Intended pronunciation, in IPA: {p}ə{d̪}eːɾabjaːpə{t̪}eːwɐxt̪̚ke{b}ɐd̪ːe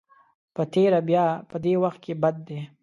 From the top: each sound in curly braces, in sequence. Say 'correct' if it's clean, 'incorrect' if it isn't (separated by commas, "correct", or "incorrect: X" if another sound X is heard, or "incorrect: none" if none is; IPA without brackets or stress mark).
correct, incorrect: t̪, incorrect: d̪, correct